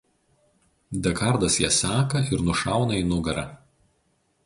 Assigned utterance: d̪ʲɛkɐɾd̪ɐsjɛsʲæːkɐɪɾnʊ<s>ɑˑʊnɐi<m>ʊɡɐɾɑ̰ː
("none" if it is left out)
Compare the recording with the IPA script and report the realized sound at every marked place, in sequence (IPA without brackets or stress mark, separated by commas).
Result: ʃ, n